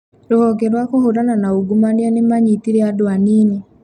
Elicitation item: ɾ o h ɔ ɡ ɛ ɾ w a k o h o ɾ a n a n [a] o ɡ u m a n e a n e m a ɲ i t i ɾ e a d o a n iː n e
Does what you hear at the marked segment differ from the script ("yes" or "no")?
no